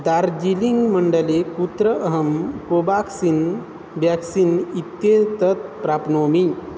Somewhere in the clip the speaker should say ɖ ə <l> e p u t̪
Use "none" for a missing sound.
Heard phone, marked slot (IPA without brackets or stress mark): l